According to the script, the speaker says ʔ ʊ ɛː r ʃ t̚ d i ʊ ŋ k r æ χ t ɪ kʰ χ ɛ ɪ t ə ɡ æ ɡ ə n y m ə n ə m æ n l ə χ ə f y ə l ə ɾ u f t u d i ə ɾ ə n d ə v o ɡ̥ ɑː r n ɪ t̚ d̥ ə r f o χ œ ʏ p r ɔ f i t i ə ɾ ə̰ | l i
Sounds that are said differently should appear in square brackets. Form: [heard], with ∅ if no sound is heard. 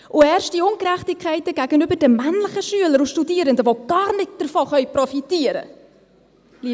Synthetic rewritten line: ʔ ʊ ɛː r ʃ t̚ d i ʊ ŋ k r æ χ t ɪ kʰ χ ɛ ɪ t ə ɡ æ ɡ ə n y [b] ə [d] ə m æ n l ə χ ə [ʃ] y ə l ə ɾ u [ʃ] t u d i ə ɾ ə n d ə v o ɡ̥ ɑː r n ɪ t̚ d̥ ə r f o χ œ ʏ p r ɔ f i t i ə ɾ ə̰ | l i